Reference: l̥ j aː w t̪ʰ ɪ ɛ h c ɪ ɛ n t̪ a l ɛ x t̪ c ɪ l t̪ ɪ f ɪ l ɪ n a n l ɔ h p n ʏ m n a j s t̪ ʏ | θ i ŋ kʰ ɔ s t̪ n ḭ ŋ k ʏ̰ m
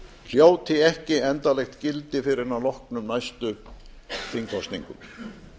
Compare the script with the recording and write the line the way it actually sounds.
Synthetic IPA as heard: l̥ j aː w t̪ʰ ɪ ɛ h c ɪ ɛ n t̪ a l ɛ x t̪ c ɪ l t̪ ɪ f ɪ ɾ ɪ n a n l ɔ h k n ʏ m n a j s t̪ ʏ | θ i ŋ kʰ ɔ s t̪ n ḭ ŋ k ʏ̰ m